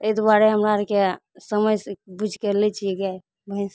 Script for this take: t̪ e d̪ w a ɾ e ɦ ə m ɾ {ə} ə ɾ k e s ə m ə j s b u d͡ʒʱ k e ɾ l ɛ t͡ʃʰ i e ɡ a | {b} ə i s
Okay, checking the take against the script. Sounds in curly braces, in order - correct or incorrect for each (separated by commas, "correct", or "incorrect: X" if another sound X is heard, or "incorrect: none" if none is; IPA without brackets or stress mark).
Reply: incorrect: a, correct